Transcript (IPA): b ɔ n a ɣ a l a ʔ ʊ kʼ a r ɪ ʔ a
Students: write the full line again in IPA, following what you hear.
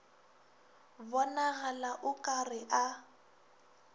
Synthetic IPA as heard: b ɔ n a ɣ a l a ʔ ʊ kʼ a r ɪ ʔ a